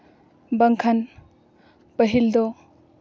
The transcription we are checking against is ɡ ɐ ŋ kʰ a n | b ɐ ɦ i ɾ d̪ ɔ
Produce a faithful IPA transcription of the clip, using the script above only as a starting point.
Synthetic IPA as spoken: b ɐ ŋ kʰ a n | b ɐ ɦ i l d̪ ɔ